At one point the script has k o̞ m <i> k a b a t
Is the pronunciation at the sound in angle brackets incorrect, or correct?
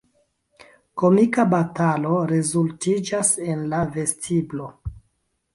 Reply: correct